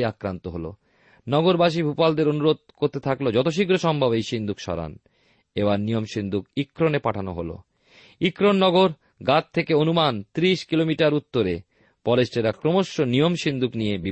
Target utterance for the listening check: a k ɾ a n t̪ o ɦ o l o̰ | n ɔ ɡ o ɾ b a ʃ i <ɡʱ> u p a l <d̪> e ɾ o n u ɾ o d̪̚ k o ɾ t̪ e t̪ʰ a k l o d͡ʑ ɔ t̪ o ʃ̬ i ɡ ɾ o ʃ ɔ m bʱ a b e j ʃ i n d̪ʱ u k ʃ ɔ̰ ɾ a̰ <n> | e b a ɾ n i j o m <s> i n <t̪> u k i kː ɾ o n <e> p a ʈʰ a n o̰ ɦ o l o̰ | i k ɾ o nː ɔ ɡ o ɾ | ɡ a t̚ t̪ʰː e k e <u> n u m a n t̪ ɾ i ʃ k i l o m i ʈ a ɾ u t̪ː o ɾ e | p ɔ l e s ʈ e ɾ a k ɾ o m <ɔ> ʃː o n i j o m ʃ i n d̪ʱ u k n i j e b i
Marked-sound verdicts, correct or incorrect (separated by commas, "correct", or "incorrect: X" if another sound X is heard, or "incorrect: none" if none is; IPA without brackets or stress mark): incorrect: bʱ, correct, correct, incorrect: ʃ, incorrect: d̪, correct, incorrect: o, incorrect: o